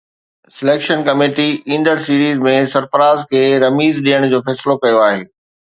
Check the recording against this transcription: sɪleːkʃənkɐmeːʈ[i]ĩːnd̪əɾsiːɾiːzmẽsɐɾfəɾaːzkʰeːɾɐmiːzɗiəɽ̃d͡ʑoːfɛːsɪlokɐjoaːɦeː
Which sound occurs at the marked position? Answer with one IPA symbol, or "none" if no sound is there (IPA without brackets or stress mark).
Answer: i